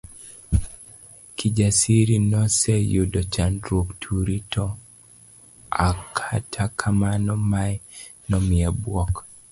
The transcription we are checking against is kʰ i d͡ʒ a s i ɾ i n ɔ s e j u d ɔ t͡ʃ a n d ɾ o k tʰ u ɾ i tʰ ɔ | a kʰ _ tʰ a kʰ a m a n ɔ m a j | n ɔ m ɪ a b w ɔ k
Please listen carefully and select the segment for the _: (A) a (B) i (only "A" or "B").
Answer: A